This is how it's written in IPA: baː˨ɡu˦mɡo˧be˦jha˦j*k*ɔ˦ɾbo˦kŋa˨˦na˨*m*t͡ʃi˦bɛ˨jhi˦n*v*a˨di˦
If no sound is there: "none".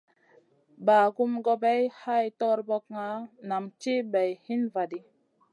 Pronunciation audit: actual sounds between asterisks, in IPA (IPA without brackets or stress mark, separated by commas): t, m, v